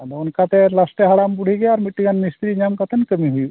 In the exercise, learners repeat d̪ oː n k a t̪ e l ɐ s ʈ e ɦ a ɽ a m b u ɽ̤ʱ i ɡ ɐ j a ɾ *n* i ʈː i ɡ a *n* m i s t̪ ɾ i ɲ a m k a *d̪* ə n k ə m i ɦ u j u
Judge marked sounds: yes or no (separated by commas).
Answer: no, yes, no